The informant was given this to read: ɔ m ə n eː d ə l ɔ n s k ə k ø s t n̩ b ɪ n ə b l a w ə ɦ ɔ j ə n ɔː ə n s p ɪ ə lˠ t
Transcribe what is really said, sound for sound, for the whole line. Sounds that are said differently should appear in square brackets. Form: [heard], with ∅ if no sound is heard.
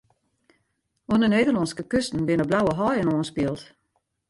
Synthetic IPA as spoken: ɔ [n] ə n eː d ə l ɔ n s k ə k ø s t n̩ b ɪ n ə b l a w ə ɦ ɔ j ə n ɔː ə n s p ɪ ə lˠ t